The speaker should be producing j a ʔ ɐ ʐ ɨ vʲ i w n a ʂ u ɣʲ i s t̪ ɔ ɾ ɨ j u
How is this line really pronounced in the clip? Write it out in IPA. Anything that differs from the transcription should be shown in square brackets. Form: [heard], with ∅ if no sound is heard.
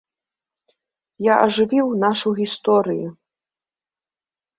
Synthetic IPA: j a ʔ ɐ ʐ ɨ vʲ i w n a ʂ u ɣʲ i s t̪ ɔ ɾ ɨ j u

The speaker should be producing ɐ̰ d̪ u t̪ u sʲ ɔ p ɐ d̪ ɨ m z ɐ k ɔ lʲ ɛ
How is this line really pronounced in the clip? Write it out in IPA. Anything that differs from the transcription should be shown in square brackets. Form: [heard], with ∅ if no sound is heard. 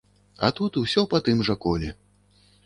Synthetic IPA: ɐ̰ [t̪] u t̪ u sʲ ɔ p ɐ [t̪] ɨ m [ʐ] ɐ k ɔ lʲ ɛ

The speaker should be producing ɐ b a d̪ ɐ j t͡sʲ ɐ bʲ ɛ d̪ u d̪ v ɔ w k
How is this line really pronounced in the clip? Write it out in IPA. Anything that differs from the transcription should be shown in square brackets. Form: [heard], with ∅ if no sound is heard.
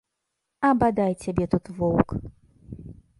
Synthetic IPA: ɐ b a d̪ [a] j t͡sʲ [a] bʲ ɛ [t̪] u [t̪] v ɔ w k

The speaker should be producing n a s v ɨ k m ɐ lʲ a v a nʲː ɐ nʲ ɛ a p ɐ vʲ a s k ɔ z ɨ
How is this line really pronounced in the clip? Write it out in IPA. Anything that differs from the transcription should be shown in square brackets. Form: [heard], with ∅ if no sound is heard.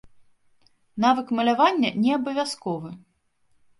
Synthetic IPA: n a [∅] v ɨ k m ɐ lʲ a v a nʲː ɐ nʲ ɛ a [b] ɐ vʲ a s k ɔ [v] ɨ

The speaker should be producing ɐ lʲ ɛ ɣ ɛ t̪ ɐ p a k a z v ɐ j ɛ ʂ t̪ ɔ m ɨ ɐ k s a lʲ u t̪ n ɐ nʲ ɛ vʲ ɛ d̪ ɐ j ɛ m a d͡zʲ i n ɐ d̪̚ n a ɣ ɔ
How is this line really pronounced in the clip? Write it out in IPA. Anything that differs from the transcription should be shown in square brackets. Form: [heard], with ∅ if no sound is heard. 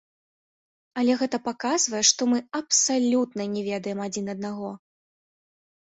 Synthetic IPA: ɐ lʲ ɛ ɣ ɛ t̪ ɐ p a k a z v ɐ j ɛ ʂ t̪ ɔ m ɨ ɐ [p] s a lʲ u t̪ n ɐ nʲ ɛ vʲ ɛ d̪ ɐ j ɛ m a d͡zʲ i n ɐ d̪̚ n a ɣ ɔ

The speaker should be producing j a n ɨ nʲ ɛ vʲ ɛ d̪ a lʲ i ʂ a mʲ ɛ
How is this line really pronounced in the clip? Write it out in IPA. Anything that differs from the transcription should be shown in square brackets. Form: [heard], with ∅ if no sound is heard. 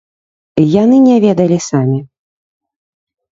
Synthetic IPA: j a n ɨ nʲ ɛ vʲ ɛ d̪ [ɐ] lʲ i [s] a mʲ [i]

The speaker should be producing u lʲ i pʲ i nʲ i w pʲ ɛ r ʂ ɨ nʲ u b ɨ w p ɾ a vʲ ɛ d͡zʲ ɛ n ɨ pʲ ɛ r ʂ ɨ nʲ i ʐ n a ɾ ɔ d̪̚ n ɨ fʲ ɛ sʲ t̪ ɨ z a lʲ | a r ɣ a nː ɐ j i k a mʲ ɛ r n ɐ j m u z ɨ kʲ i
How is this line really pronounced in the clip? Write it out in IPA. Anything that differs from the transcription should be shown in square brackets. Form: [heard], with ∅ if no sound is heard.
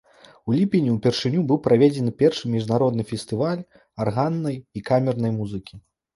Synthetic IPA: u lʲ i pʲ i nʲ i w pʲ ɛ r ʂ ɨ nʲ u b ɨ w p ɾ a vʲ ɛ d͡zʲ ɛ n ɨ pʲ ɛ r ʂ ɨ [mʲ] i ʐ n a ɾ ɔ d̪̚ n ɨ fʲ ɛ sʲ t̪ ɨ [v] a lʲ | a r ɣ a nː ɐ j i k a mʲ ɛ r n ɐ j m u z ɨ kʲ i

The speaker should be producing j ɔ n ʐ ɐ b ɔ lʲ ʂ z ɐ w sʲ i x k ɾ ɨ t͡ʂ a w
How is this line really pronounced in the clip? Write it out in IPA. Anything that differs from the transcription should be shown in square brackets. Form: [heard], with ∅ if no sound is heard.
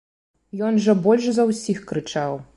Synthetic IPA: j ɔ n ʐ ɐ b ɔ lʲ ʂ z ɐ w sʲ i x k ɾ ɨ t͡ʂ a w

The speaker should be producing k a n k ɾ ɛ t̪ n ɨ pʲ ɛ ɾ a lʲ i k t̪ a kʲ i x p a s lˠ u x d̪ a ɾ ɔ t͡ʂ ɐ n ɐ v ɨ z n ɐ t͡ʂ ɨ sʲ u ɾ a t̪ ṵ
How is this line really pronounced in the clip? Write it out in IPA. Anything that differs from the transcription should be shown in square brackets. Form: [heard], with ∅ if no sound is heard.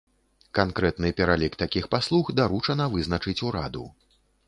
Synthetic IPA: k a n k ɾ ɛ t̪ n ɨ pʲ ɛ ɾ a lʲ i k t̪ a kʲ i x p a s lˠ u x d̪ a ɾ [u] t͡ʂ ɐ n ɐ v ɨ z n ɐ t͡ʂ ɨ [t͡sʲ] u ɾ a [d̪] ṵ

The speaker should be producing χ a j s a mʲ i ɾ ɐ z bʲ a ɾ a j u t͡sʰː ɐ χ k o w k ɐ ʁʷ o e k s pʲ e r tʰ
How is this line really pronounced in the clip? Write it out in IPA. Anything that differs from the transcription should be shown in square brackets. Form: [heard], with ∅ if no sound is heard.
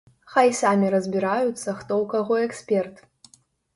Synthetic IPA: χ a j s a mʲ i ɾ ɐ z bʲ [i] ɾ a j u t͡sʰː ɐ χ [t] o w k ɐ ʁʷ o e k s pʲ e r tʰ

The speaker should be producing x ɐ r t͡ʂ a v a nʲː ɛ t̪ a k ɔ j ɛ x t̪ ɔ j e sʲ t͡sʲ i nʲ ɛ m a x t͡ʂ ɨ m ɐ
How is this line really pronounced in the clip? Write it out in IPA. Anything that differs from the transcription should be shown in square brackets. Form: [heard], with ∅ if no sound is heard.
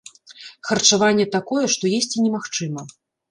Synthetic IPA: x ɐ r t͡ʂ a v a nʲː ɛ t̪ a k ɔ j ɛ [ʂ] t̪ ɔ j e sʲ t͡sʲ i nʲ ɛ m a x t͡ʂ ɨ m ɐ

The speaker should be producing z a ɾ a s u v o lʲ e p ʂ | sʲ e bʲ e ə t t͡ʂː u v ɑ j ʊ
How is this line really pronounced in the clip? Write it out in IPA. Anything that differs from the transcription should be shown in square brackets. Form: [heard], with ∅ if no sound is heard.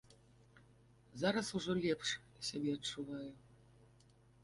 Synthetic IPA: z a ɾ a s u [ʐ] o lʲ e p ʂ | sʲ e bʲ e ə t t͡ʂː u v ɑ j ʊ

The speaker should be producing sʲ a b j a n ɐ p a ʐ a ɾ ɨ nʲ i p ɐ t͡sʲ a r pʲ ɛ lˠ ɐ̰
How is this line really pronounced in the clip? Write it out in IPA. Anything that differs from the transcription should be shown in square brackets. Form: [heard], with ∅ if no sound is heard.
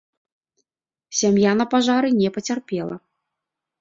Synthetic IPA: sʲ a [m] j a n ɐ p a ʐ a ɾ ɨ nʲ [ɛ] p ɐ t͡sʲ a r pʲ ɛ lˠ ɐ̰

